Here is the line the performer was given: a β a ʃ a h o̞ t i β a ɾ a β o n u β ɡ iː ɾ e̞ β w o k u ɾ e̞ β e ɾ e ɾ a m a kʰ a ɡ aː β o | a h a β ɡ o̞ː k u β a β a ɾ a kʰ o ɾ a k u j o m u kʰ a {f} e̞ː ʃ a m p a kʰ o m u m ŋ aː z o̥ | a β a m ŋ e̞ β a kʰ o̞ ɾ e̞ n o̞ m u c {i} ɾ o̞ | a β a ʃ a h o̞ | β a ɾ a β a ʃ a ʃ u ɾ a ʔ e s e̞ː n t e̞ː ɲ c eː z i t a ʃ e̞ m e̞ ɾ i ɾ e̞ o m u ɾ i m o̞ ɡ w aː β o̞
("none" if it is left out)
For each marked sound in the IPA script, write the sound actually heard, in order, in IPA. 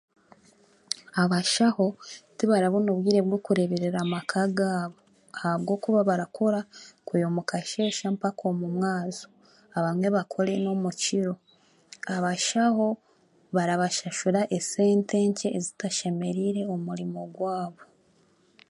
ʃ, i

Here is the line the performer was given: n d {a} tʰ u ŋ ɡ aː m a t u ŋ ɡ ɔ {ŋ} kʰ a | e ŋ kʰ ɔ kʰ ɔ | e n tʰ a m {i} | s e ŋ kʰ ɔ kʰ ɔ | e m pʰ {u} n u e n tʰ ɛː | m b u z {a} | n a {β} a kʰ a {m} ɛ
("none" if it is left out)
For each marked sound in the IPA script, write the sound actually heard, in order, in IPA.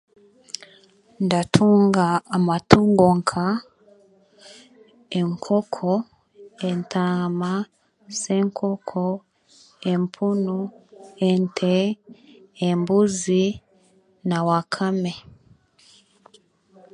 a, ŋ, a, u, i, w, m

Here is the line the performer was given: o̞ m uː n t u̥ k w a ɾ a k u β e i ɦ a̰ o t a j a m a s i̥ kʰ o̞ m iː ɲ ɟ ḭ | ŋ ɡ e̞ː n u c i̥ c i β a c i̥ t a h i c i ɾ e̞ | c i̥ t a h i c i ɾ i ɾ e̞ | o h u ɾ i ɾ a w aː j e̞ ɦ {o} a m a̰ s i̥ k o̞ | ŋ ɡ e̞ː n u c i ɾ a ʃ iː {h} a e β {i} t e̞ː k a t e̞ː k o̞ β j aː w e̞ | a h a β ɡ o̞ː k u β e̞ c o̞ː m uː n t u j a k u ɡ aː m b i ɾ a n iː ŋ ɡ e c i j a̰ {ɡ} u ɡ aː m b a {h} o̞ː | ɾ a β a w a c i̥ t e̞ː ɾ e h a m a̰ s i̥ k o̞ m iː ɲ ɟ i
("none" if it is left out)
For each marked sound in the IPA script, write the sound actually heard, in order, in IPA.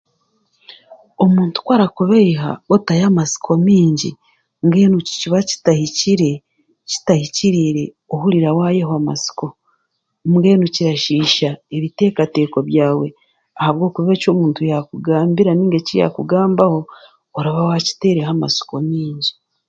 o, ʃ, i, k, h

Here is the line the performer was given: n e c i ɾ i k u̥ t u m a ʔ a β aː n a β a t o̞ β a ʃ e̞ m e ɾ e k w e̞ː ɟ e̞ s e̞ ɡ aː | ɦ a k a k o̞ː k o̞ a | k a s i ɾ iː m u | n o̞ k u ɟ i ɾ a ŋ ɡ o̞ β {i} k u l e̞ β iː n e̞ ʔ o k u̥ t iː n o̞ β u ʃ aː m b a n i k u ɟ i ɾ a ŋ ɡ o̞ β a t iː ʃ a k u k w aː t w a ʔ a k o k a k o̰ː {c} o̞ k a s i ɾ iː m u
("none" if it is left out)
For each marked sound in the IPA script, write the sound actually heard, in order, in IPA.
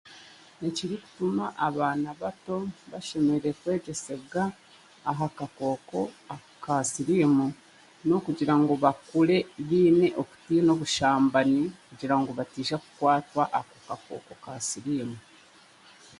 a, k

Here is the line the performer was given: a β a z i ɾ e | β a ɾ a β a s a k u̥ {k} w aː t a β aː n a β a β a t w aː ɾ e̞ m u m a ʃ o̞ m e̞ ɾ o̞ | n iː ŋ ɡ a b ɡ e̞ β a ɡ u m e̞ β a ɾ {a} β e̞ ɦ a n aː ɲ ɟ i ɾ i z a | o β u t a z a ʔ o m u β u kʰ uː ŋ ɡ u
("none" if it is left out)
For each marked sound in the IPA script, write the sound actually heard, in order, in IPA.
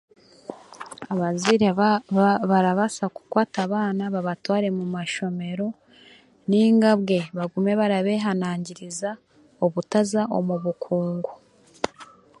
k, a

